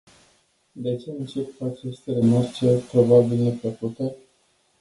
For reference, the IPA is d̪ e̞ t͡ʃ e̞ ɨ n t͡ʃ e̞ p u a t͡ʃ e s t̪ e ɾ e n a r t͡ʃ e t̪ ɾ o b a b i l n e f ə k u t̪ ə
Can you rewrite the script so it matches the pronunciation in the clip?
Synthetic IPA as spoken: d̪ e̞ t͡ʃ e̞ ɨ n t͡ʃ e̞ p u a t͡ʃ e s t̪ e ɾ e m a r t͡ʃ e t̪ ɾ o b a b i l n e f ə k u t̪ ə